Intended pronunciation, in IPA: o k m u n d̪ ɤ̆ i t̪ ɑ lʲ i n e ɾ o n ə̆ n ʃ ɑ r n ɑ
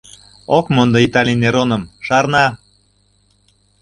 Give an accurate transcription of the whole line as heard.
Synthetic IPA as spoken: o k m o n d̪ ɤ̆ i t̪ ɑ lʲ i n e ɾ o n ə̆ m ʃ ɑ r n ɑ